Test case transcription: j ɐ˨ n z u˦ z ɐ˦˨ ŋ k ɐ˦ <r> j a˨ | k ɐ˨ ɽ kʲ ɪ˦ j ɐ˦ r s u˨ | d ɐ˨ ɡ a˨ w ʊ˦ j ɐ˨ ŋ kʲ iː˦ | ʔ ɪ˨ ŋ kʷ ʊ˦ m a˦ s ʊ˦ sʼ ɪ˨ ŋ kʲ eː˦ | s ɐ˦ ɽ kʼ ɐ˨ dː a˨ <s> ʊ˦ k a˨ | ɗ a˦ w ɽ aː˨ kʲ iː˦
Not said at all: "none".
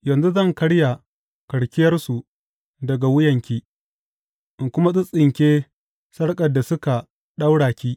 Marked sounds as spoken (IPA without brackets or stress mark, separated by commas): ɽ, s